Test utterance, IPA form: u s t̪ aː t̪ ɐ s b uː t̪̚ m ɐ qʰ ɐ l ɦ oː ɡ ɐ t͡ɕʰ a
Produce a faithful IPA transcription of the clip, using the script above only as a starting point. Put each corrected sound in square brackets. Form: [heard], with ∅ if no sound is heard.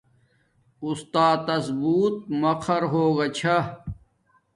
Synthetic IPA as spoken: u s t̪ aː t̪ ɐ s b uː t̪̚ m ɐ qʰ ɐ [ɾ] ɦ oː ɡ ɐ t͡ɕʰ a